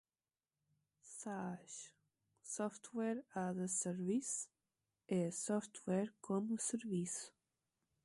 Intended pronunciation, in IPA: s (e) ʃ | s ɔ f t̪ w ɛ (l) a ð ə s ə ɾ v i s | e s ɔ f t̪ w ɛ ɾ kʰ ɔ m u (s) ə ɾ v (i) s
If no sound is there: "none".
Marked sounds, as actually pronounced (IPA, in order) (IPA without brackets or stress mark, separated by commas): a, ɾ, s, i